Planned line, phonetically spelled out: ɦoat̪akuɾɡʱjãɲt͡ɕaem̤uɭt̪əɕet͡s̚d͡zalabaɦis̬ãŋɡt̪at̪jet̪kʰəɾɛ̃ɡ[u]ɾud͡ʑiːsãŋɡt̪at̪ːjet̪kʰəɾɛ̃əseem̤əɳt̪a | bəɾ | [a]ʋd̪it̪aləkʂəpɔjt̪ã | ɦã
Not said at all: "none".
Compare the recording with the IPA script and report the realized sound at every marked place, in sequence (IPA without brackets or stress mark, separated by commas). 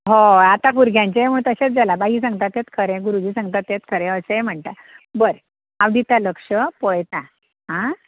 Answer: u, a